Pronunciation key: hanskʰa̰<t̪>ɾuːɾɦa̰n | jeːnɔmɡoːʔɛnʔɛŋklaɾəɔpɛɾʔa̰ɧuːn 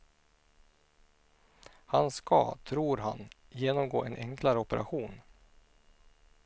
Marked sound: incorrect: t̪ʰ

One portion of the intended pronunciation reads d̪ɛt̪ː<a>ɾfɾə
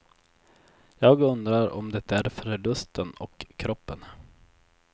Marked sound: incorrect: æ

